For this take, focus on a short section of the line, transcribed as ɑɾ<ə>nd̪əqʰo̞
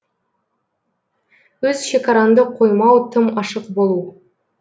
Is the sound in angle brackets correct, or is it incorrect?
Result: incorrect